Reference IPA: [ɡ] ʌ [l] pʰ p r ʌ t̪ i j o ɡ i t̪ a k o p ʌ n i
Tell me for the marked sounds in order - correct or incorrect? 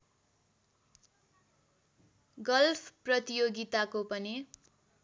correct, correct

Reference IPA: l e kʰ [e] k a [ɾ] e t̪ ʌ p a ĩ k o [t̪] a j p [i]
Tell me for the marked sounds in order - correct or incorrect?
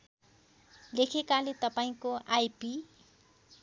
correct, incorrect, incorrect, correct

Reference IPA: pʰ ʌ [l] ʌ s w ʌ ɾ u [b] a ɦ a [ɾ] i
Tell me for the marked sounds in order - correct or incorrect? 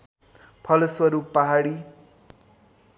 correct, incorrect, incorrect

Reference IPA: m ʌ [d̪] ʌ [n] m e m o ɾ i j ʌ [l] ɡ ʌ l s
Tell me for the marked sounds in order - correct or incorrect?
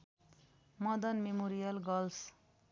correct, correct, correct

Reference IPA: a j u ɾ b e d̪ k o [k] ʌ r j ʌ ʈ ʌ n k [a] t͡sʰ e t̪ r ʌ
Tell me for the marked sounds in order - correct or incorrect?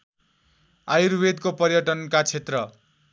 incorrect, correct

